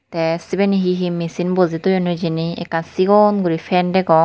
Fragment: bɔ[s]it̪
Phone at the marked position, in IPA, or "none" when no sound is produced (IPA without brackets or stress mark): z